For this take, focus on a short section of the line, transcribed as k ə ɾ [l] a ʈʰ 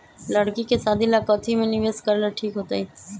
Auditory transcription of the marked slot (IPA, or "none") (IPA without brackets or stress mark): l